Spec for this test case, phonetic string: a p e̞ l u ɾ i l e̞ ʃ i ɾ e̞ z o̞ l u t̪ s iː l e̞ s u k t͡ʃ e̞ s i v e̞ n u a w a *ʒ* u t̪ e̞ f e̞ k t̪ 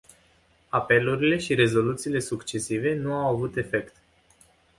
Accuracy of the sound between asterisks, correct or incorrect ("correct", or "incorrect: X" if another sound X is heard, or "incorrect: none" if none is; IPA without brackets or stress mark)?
incorrect: v